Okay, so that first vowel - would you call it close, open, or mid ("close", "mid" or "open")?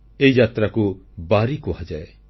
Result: mid